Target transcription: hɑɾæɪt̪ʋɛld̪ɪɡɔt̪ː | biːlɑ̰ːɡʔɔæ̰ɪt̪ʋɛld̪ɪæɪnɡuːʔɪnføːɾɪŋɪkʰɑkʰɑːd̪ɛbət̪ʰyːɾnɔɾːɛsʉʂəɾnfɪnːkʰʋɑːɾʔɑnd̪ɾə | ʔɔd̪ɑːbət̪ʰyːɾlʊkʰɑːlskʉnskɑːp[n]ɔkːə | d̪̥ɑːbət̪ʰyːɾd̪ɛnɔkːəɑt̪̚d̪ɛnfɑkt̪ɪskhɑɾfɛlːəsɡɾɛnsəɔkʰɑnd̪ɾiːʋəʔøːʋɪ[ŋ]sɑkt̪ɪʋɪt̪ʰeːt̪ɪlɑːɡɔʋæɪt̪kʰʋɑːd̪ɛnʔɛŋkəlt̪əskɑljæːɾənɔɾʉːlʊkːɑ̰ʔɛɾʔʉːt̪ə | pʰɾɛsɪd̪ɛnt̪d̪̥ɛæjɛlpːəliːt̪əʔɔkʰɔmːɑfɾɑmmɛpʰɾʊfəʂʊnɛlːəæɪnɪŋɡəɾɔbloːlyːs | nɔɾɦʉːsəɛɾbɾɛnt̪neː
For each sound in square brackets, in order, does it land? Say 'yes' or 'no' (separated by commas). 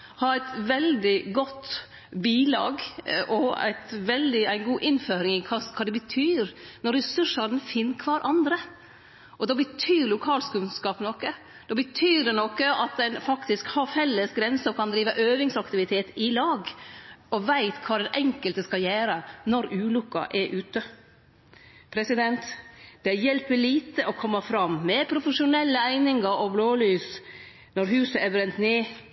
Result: yes, yes